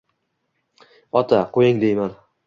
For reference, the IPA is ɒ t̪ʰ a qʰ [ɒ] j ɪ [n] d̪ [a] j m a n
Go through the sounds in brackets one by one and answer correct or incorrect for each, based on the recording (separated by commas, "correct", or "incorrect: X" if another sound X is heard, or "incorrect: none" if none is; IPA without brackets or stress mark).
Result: incorrect: o, incorrect: ŋ, incorrect: e